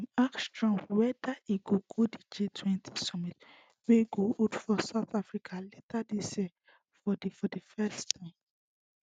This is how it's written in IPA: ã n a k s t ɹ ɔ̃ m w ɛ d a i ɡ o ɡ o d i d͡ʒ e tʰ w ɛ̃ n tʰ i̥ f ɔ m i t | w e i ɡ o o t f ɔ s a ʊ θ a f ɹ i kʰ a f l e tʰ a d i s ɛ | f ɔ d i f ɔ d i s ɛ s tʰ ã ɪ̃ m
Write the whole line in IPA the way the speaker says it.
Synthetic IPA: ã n a k s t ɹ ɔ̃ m w ɛ d a i ɡ o ɡ o d i d͡ʒ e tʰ w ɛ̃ n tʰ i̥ s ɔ m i t | w e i ɡ o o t f ɔ s a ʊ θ a f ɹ i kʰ a l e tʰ a d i s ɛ | f ɔ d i f ɔ d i f ɛ s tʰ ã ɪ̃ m